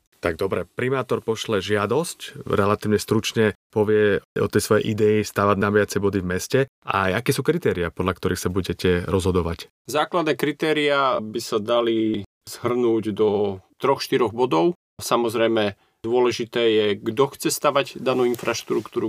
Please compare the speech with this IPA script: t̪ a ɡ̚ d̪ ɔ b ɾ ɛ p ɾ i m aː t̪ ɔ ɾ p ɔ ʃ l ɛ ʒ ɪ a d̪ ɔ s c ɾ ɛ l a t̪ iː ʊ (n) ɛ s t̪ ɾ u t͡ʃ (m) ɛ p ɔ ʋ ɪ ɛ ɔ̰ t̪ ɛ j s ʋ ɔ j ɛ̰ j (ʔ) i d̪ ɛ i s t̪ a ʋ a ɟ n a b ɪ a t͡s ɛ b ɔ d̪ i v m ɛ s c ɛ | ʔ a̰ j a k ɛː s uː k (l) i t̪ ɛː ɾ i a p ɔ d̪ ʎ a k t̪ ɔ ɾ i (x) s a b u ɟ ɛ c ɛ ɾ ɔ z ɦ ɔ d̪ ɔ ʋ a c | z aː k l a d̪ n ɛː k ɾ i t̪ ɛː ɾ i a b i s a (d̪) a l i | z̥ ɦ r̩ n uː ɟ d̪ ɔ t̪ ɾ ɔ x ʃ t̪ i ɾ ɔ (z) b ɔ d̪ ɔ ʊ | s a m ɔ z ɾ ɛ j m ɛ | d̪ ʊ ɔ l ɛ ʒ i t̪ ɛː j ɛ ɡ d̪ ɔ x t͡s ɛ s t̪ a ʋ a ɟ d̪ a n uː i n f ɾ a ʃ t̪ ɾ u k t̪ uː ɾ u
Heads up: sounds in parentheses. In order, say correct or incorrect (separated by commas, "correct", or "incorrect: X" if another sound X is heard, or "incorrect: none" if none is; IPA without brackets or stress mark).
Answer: incorrect: ɲ, incorrect: ɲ, correct, incorrect: ɾ, correct, correct, incorrect: ɣ